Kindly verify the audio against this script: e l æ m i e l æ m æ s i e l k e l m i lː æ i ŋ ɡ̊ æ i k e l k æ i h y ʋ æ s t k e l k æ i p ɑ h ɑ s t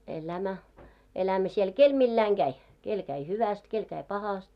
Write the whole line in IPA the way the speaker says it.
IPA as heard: e l æ m æ e l æ m æ s i e l k e l m i lː æ i ŋ ɡ̊ æ i k e l k æ i h y ʋ æ s t k e l k æ i p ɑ h ɑ s t